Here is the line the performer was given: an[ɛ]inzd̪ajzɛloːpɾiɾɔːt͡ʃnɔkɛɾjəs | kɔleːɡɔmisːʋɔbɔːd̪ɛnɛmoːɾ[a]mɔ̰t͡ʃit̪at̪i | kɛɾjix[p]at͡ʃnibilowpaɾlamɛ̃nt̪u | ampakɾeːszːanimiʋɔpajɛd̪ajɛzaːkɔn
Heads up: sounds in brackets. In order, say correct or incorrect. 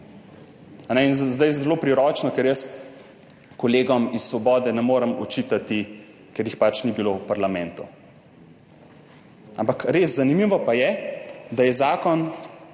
correct, incorrect: ə, correct

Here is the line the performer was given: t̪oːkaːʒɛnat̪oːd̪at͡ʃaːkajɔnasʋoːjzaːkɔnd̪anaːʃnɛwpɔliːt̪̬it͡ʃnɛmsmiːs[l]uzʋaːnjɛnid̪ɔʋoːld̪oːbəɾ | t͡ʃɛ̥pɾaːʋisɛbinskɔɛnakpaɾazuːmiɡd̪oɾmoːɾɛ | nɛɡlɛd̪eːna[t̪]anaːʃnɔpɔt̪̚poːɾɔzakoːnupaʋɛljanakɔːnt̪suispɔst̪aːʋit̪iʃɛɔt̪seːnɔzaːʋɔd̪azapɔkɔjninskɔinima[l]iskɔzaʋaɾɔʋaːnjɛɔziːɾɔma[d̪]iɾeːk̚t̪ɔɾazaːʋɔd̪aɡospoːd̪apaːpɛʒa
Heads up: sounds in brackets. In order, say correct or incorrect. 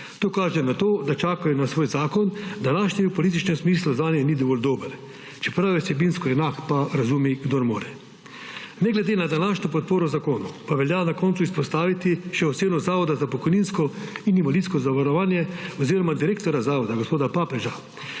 correct, incorrect: d̪, correct, correct

